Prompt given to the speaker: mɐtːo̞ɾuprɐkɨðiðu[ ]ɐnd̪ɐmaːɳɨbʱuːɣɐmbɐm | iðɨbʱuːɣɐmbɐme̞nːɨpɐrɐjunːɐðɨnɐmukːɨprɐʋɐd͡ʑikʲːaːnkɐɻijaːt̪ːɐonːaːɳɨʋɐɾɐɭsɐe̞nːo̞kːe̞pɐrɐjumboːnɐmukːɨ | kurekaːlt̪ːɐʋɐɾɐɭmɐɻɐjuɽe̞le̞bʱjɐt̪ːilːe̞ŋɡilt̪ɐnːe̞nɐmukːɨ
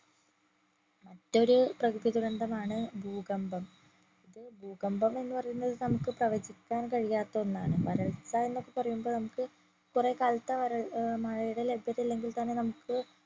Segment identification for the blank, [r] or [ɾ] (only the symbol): ɾ